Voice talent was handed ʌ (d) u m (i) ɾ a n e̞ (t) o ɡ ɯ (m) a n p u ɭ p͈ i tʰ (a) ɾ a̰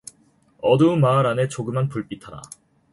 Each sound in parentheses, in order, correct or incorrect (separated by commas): correct, incorrect, incorrect, correct, correct